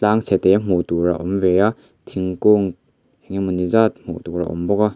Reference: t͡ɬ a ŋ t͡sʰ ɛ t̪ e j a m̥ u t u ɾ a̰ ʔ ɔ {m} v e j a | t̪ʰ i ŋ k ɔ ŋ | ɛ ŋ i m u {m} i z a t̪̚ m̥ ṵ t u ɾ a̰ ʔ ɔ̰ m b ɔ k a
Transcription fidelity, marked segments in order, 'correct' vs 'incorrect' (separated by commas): correct, incorrect